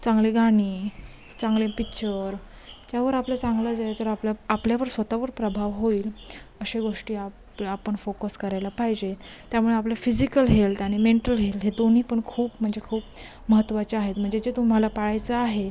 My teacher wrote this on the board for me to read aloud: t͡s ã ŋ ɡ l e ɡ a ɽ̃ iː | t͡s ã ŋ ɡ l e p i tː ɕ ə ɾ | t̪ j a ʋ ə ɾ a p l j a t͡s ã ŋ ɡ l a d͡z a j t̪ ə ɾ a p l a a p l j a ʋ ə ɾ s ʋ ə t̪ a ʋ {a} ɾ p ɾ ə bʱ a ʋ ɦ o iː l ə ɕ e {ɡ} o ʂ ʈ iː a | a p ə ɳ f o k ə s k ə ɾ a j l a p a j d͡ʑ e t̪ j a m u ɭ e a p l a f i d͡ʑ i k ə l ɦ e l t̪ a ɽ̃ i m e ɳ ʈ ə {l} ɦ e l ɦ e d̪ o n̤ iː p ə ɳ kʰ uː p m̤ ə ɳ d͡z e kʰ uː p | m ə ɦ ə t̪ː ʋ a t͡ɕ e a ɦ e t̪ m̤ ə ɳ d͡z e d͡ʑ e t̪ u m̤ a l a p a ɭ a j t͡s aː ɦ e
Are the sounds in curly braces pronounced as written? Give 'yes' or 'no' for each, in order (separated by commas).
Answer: no, yes, yes